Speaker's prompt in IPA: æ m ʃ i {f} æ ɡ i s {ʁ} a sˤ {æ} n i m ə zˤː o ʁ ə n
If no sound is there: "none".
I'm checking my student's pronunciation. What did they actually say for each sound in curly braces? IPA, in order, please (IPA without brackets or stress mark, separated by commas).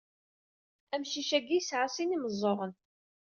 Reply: ʃ, ʕ, i